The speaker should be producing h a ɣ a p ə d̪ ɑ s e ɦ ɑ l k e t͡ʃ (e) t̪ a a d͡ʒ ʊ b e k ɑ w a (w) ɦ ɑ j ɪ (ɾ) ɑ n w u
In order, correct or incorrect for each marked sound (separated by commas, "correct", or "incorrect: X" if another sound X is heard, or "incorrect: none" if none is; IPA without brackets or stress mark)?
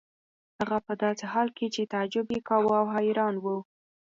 correct, correct, correct